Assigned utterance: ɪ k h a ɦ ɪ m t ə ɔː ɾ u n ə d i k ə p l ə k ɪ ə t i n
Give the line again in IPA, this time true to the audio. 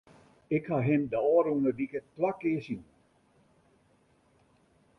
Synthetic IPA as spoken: ɪ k h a ɦ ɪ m d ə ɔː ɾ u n ə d i k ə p l a k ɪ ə s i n